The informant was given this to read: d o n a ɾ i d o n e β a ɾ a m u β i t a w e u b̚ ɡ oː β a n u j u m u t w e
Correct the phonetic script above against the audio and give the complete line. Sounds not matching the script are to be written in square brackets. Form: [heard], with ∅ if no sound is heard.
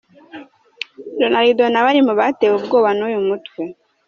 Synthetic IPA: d o n a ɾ i d o n [a] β a ɾ [i] m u β [a] t [e] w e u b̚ ɡ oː β a n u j u m u t w e